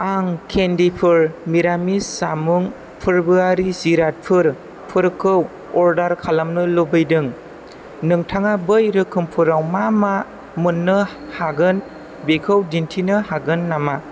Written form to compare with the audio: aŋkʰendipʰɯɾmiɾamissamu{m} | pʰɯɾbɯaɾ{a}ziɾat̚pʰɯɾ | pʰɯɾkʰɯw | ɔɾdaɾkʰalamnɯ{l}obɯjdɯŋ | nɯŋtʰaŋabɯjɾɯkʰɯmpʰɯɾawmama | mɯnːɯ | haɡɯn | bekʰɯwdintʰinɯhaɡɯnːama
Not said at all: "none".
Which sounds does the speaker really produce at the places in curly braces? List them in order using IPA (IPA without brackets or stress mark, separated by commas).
ŋ, i, l